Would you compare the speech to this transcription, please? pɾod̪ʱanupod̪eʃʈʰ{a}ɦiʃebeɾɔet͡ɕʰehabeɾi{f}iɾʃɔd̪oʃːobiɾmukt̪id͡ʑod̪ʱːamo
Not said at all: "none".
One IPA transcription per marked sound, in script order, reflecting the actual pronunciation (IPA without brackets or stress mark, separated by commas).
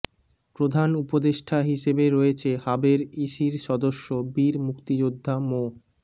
a, ʃ